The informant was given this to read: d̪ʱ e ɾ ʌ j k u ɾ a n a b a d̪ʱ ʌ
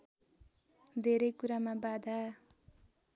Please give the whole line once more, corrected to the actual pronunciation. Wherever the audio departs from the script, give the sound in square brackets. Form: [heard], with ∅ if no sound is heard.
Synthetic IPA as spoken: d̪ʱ e ɾ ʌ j k u ɾ a [m] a b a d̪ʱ [a]